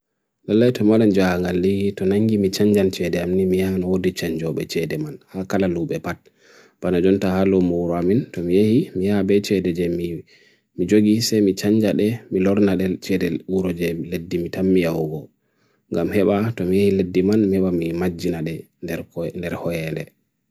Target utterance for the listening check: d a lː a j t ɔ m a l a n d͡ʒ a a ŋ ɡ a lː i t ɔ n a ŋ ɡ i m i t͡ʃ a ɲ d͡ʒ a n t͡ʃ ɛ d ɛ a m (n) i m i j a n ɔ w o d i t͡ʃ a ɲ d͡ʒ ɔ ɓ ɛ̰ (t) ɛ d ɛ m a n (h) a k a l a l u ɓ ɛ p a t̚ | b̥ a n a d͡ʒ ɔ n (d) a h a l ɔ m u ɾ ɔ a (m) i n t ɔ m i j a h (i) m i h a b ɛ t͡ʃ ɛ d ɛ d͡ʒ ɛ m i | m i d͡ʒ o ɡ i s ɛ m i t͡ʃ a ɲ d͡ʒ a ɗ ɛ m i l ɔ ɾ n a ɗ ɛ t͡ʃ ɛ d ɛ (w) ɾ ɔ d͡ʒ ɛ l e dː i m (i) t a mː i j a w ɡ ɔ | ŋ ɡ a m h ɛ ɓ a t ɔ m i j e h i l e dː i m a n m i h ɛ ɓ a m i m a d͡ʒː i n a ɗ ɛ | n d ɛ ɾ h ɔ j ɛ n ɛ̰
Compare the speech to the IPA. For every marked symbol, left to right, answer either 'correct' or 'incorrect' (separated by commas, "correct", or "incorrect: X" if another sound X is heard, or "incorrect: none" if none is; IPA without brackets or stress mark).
correct, incorrect: t͡ʃ, correct, incorrect: t, correct, correct, incorrect: u, correct